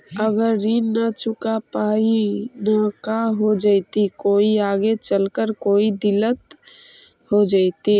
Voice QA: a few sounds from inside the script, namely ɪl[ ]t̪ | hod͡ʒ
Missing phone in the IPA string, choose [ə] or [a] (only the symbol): ə